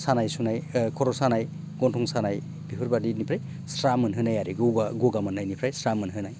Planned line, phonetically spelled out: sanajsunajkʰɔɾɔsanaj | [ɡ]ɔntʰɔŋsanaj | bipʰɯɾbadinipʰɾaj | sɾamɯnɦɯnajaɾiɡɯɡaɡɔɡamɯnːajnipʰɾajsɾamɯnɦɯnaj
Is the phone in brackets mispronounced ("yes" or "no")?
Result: no